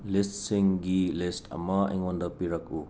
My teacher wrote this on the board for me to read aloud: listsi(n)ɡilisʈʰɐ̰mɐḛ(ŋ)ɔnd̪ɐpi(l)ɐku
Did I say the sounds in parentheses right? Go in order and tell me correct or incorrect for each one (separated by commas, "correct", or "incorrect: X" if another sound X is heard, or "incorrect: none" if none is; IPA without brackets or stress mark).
incorrect: ŋ, correct, incorrect: ɾ